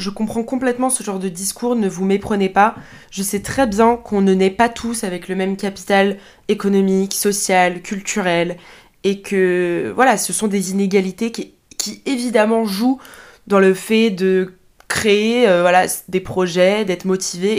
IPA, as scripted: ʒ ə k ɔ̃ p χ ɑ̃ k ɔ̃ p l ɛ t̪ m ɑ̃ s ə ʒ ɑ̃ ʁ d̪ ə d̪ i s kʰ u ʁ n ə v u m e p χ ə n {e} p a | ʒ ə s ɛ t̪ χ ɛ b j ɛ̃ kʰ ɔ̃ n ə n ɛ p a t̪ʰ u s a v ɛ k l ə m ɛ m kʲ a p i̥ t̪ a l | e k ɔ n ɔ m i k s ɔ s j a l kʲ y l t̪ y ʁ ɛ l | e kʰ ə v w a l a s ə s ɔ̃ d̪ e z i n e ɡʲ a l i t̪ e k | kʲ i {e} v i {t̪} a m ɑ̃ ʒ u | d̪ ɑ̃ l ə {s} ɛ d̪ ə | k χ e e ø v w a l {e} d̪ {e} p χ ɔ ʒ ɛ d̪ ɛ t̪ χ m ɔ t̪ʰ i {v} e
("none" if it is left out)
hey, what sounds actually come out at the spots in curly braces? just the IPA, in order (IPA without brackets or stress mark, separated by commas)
e, e, d̪, f, a, e, v